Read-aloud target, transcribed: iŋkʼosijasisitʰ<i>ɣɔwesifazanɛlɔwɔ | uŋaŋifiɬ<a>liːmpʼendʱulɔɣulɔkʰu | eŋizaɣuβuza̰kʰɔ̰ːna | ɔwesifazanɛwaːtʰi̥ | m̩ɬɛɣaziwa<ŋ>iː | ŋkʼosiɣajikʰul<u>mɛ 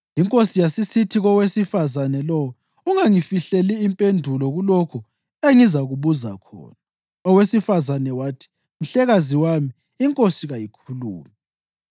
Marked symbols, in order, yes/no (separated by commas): yes, no, no, no